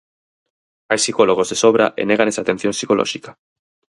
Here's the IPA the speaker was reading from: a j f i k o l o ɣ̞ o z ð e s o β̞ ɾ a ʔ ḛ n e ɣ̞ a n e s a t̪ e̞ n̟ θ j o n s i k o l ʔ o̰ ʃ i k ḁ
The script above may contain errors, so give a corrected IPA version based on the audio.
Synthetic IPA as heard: a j s i k o l o ɣ̞ o z ð e s o β̞ ɾ a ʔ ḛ n e ɣ̞ a n e s a t̪ e̞ n̟ θ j o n s i k o l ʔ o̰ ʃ i k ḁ